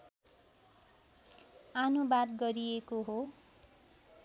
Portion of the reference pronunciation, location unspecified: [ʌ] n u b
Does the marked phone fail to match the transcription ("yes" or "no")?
yes